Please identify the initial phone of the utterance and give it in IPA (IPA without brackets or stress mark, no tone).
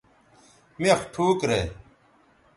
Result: m